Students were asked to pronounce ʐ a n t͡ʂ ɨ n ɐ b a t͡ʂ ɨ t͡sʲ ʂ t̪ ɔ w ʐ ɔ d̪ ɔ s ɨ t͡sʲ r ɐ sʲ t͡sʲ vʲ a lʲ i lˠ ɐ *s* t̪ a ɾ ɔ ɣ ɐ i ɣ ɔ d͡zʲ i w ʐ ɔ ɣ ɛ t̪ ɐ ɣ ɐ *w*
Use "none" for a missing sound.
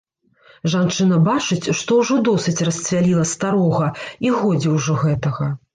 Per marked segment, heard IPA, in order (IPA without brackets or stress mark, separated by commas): s, none